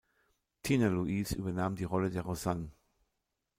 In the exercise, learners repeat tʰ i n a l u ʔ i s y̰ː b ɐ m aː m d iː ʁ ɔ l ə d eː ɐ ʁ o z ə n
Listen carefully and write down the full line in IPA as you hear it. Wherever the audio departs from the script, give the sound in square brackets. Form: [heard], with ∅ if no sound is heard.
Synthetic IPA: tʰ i n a l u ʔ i s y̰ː b ɐ [n] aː m d iː ʁ ɔ l ə d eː ɐ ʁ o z [a] n